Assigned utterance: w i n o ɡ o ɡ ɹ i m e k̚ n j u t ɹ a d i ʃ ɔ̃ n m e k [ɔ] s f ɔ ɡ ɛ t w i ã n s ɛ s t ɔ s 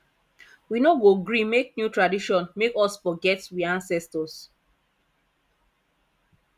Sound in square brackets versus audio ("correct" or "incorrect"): correct